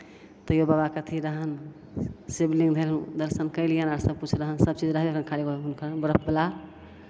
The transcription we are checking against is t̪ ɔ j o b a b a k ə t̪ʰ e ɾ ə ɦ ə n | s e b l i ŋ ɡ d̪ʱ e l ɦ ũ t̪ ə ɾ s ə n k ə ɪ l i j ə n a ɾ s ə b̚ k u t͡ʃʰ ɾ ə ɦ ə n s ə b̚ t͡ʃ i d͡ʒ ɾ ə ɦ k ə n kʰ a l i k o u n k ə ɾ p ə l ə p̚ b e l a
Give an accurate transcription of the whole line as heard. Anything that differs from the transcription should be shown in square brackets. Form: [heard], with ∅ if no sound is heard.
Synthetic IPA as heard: t̪ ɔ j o b a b a k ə t̪ʰ [i] ɾ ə ɦ ə n | s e b l i ŋ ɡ d̪ʱ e l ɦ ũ [d̪] ə ɾ s ə n k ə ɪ l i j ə n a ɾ s ə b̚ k u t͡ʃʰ ɾ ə ɦ ə n s ə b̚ t͡ʃ i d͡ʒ ɾ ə ɦ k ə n kʰ a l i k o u n k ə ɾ [b] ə [ɾ] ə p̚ b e l a